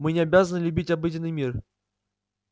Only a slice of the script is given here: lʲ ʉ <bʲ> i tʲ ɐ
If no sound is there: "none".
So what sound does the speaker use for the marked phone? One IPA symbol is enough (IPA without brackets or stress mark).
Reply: bʲ